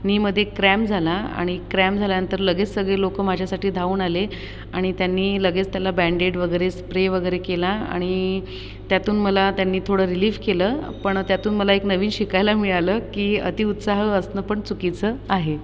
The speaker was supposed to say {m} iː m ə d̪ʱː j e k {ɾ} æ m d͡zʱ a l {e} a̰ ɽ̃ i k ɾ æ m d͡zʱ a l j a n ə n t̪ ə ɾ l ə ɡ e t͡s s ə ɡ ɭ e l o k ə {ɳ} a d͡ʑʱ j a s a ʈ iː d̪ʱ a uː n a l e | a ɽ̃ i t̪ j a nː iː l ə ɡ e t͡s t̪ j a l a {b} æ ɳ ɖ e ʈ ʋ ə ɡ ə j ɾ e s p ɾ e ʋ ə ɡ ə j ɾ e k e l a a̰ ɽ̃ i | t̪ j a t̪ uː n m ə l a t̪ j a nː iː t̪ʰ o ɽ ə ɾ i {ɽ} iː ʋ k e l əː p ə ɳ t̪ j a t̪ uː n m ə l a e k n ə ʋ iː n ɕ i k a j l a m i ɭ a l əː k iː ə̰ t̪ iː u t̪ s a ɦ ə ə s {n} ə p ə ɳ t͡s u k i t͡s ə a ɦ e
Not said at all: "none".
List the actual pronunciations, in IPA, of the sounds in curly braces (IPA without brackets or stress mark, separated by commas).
n, ɾ, a, m, b, l, n